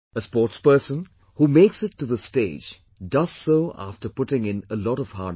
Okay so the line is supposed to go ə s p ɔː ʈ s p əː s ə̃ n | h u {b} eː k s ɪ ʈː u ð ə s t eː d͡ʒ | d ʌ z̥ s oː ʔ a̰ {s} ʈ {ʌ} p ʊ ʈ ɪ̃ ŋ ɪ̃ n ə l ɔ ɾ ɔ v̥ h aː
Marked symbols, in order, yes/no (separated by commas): no, no, no